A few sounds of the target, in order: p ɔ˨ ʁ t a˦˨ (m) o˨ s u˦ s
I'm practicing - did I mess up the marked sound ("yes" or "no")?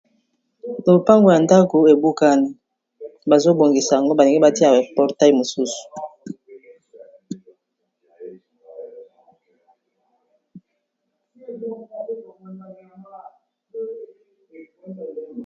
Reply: no